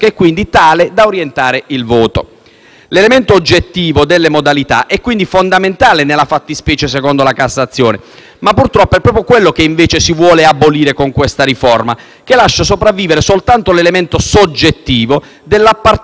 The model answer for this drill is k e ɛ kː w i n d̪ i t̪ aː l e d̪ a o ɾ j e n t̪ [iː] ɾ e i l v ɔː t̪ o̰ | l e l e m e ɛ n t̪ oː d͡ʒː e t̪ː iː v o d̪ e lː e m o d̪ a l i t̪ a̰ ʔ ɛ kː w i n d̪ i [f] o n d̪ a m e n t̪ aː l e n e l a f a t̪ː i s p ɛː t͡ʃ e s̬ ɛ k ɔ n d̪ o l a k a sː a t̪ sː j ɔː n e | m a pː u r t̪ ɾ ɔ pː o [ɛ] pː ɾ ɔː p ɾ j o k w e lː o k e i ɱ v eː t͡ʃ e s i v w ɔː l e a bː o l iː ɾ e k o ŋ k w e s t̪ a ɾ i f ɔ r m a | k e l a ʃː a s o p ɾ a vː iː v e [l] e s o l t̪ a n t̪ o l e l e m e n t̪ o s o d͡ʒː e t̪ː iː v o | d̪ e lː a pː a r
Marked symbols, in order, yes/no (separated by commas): no, yes, yes, no